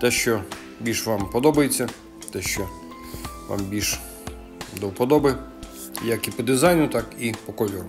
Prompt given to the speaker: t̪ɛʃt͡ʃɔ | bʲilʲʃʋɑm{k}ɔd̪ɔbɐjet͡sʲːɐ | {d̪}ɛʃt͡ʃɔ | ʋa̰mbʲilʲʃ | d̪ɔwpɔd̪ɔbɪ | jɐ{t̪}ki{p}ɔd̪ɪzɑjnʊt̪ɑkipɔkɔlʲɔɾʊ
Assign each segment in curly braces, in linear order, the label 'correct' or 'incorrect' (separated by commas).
incorrect, incorrect, incorrect, correct